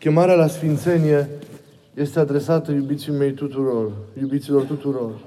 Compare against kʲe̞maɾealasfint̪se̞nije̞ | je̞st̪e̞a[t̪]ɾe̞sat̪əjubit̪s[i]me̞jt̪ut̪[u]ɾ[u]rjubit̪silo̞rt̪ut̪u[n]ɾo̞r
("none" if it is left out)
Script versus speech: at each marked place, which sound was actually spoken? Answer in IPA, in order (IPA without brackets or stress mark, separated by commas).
d̪, i, u, o, none